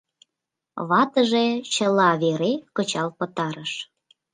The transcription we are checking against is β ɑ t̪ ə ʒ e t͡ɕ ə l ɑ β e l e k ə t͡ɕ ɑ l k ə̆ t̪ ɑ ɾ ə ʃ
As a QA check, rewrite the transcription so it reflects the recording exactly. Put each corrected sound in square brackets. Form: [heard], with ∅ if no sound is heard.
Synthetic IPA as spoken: β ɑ t̪ ə ʒ e t͡ɕ ə l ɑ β e [ɾ] e k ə t͡ɕ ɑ l [p] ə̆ t̪ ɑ ɾ ə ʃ